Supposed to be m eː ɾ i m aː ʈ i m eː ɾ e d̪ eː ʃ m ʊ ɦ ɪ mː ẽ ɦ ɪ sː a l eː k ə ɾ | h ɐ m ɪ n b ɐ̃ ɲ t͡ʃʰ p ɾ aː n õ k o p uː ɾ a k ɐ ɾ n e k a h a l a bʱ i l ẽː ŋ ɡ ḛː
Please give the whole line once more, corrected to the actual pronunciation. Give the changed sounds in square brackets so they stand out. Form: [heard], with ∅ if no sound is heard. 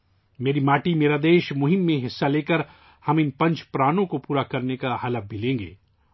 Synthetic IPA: m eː ɾ i m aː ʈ i m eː ɾ [a] d̪ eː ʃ m ʊ ɦ ɪ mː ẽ ɦ ɪ sː a l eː k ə ɾ | h ɐ m ɪ n [p] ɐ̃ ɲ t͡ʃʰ p ɾ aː n õ k o p uː ɾ a k ɐ ɾ n e k a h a l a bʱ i l ẽː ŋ ɡ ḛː